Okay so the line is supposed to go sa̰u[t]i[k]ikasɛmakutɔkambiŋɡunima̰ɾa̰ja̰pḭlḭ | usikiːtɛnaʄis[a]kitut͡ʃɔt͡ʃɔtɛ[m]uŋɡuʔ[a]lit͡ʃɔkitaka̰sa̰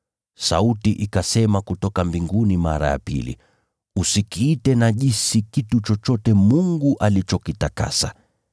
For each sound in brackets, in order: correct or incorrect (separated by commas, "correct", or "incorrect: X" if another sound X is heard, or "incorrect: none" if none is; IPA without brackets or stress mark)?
correct, incorrect: ʔ, incorrect: i, correct, correct